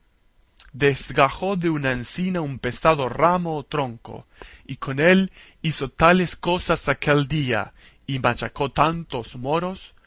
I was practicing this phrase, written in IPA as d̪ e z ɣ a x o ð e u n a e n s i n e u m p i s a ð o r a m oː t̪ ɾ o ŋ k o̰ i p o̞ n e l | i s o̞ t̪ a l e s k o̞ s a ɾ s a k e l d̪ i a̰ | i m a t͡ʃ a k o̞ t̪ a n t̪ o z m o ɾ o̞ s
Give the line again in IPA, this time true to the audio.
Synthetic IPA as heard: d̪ e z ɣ a x o ð e u n a e n s i n a u m p e s a ð o r a m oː t̪ ɾ o ŋ k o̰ i k o̞ n e l | i s o̞ t̪ a l e s k o̞ s a s a k e l d̪ i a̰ | i m a t͡ʃ a k o̞ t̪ a n t̪ o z m o ɾ o̞ s

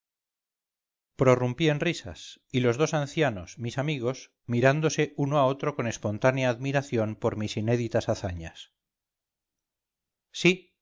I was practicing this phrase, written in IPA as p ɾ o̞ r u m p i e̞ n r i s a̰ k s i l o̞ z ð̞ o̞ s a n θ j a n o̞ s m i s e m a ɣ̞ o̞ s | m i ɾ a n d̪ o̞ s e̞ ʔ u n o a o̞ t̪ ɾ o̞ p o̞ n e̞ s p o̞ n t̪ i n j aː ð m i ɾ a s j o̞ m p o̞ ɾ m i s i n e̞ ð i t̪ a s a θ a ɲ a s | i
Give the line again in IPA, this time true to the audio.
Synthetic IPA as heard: p ɾ o̞ r u m p i e̞ n r i s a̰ s i l o̞ z ð̞ o̞ s a n θ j a n o̞ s m i s a m i ɣ̞ o̞ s | m i ɾ a n d̪ o̞ s e̞ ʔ u n o a o̞ t̪ ɾ o̞ k o̞ n e̞ s p o̞ n t̪ a n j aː ð m i ɾ a θ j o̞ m p o̞ ɾ m i s i n e̞ ð i t̪ a s a θ a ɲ a s | i

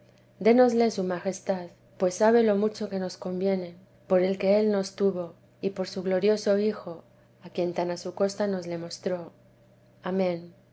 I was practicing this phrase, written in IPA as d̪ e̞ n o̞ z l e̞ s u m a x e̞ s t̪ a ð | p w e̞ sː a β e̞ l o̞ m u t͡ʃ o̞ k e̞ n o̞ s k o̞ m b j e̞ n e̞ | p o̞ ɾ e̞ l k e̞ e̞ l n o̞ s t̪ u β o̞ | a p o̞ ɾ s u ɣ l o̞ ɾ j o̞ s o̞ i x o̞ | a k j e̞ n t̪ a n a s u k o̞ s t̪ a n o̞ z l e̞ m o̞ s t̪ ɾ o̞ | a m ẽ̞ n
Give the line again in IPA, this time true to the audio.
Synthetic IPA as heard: d̪ e̞ n o̞ z l e̞ s u m a x e̞ s t̪ a ð | p w e̞ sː a β e̞ l o̞ m u t͡ʃ o̞ k e̞ n o̞ s k o̞ m b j e̞ n e̞ | p o̞ ɾ e̞ l k e̞ e̞ l n o̞ s t̪ u β o̞ | i p o̞ ɾ s u ɣ l o̞ ɾ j o̞ s o̞ i x o̞ | a k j e̞ n t̪ a n a s u k o̞ s t̪ a n o̞ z l e̞ m o̞ s t̪ ɾ o̞ | a m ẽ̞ n

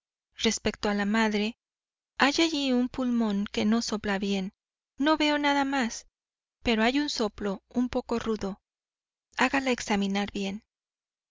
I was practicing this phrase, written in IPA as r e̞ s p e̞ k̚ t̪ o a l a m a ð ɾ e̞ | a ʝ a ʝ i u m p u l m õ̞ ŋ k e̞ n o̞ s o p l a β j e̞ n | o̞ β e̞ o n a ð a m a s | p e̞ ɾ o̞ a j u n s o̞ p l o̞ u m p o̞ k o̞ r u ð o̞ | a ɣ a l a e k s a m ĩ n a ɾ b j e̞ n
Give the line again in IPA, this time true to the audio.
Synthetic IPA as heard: r e̞ s p e̞ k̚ t̪ o a l a m a ð ɾ e̞ | a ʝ a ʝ i u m p u l m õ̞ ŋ k e̞ n o̞ s o p l a β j e̞ nː | o̞ β e̞ o n a ð a m a s | p e̞ ɾ o̞ a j u n s o̞ p l o̞ u m p o̞ k o̞ r u ð o̞ | a ɣ a l a e k s a m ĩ n a ɾ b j e̞ n

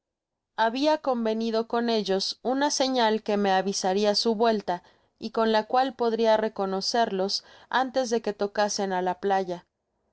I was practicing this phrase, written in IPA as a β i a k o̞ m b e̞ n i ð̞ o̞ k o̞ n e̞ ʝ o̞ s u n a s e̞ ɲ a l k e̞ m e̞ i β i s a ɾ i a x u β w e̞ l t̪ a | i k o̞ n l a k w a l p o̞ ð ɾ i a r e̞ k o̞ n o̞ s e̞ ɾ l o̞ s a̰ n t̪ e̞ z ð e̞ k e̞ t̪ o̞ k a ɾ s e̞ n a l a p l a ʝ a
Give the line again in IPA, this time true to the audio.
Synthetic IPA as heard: a β i a k o̞ m b e̞ n i ð̞ o̞ k o̞ n e̞ ʝ o̞ s u n a s e̞ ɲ a l k e̞ m e̞ a β i s a ɾ i a s u β w e̞ l t̪ a | i k o̞ n l a k w a l p o̞ ð ɾ i a r e̞ k o̞ n o̞ s e̞ ɾ l o̞ s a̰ n t̪ e̞ z ð e̞ k e̞ t̪ o̞ k a s e̞ n a l a p l a ʝ a

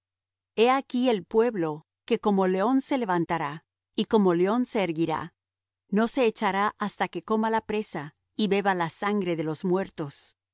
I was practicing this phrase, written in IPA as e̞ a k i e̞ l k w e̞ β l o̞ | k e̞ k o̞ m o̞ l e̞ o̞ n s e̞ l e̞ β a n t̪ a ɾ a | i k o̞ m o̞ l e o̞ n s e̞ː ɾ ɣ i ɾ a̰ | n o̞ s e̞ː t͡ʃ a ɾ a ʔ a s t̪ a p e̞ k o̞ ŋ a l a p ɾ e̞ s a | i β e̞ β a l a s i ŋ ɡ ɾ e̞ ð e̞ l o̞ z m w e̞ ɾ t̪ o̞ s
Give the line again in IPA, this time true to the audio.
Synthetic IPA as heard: e̞ a k i e̞ l p w e̞ β l o̞ | k e̞ k o̞ m o̞ l e̞ o̞ n s e̞ l e̞ β a n t̪ a ɾ a | i k o̞ m o̞ l e o̞ n s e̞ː ɾ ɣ i ɾ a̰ | n o̞ s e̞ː t͡ʃ a ɾ a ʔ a s t̪ a k e̞ k o̞ m a l a p ɾ e̞ s a | i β e̞ β a l a s a ŋ ɡ ɾ e̞ ð e̞ l o̞ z m w e̞ ɾ t̪ o̞ s

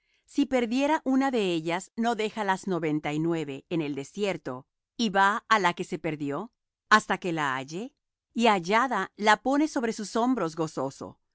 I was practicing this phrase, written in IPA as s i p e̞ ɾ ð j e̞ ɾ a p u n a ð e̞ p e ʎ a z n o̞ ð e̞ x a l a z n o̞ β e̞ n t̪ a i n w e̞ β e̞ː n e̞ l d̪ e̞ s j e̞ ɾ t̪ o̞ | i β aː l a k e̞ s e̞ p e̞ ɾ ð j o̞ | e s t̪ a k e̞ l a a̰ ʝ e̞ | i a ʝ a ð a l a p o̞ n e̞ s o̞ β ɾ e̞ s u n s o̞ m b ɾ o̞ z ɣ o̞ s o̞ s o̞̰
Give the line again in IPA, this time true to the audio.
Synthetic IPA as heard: s i p e̞ ɾ ð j e̞ ɾ a ʔ u n a ð e̞ e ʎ a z n o̞ ð e̞ x a l a z n o̞ β e̞ n t̪ a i n w e̞ β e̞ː n e̞ l d̪ e̞ s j e̞ ɾ t̪ o̞ | i β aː l a k e̞ s e̞ p e̞ ɾ ð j o̞ | a s t̪ a k e̞ l a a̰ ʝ e̞ | i a ʝ a ð a l a p o̞ n e̞ s o̞ β ɾ e̞ s u s o̞ m b ɾ o̞ z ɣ o̞ s o̞ s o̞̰

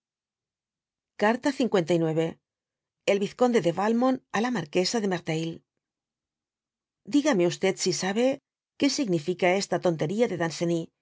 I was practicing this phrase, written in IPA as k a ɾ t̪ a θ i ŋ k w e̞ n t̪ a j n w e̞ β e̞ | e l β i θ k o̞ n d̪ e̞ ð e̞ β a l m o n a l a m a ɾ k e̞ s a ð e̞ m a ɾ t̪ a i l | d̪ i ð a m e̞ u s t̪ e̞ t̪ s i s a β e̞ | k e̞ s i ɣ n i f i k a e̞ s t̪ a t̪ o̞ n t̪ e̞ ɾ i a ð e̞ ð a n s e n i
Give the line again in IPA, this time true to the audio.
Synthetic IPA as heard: k a ɾ t̪ a θ i ŋ k w e̞ n t̪ a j n w e̞ β e̞ | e l β i θ k o̞ n d̪ e̞ ð e̞ β a l m o n a l a m a ɾ k e̞ s a ð e̞ m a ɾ t̪ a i l | d̪ i ɣ a m e̞ u s t̪ e̞ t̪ s i s a β e̞ | k e̞ s i ɣ n i f i k a e̞ s t̪ a t̪ o̞ n t̪ e̞ ɾ i a ð e̞ ð a n s e n i

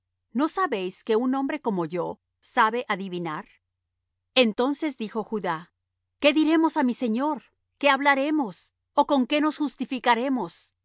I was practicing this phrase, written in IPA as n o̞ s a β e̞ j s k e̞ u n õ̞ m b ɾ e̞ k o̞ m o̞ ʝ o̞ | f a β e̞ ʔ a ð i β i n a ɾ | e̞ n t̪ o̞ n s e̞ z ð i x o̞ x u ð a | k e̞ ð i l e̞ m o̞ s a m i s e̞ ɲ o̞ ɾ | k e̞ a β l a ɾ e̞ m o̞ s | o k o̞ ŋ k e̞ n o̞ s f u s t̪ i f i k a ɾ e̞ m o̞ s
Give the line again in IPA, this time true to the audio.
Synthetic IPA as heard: n o̞ s a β e̞ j s k e̞ u n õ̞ m b ɾ e̞ k o̞ m o̞ ʝ o̞ | s a β e̞ ʔ a ð i β i n a ɾ | e̞ n t̪ o̞ n s e̞ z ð i x o̞ x u ð a | k e̞ ð i ɾ e̞ m o̞ s a m i s e̞ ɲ o̞ ɾ | k e̞ a β l a ɾ e̞ m o̞ s | o k o̞ ŋ k e̞ n o̞ s x u s t̪ i f i k a ɾ e̞ m o̞ s

